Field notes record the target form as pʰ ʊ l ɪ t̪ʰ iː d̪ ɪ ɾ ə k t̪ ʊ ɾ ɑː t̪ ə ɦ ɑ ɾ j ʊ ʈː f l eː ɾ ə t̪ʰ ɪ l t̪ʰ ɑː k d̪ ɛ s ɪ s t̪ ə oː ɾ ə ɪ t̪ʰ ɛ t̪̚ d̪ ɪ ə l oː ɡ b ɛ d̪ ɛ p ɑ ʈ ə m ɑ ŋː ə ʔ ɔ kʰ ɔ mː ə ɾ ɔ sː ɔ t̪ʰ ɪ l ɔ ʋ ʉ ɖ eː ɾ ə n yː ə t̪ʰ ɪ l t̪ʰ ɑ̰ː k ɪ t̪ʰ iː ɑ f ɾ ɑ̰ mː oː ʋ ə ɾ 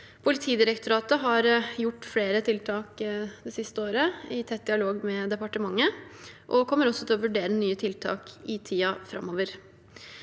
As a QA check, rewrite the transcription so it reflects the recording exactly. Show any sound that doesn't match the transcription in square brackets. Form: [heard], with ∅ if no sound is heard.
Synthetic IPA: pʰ ʊ l ɪ t̪ʰ iː d̪ ɪ ɾ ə k t̪ ʊ ɾ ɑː t̪ ə ɦ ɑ ɾ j ʊ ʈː f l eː ɾ ə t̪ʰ ɪ l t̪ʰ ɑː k d̪ ɛ s ɪ s t̪ ə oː ɾ ə ɪ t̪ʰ ɛ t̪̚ d̪ ɪ [ɑ] l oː ɡ [m] ɛ d̪ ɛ p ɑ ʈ ə m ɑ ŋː ə ʔ ɔ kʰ ɔ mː ə ɾ ɔ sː ɔ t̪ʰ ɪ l ɔ ʋ ʉ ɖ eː ɾ ə n yː ə t̪ʰ ɪ l t̪ʰ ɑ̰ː k ɪ t̪ʰ iː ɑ f ɾ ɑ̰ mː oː ʋ ə ɾ